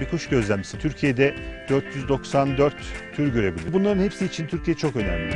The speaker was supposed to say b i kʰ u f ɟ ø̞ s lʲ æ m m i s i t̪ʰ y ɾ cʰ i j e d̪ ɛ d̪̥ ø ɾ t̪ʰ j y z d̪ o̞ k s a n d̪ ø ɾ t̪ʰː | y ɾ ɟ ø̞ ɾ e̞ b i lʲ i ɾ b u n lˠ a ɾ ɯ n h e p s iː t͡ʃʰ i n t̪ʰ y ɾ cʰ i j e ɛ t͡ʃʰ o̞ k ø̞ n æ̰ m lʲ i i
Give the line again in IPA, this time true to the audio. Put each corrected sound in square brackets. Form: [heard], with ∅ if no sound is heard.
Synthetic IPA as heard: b i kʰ u [ʃ] ɟ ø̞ [z] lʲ æ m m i s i t̪ʰ y ɾ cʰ i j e d̪ ɛ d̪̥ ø ɾ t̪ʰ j y z d̪ o̞ k s a n d̪ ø ɾ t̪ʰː | y ɾ ɟ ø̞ ɾ e̞ b i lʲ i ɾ b u n lˠ a ɾ ɯ n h e p s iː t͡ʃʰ i n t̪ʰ y ɾ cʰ i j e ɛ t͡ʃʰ o̞ k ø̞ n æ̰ m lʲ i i